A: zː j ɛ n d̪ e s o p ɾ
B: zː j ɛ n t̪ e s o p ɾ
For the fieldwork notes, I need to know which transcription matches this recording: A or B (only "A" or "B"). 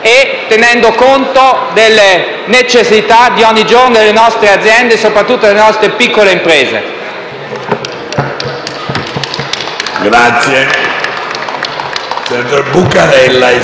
A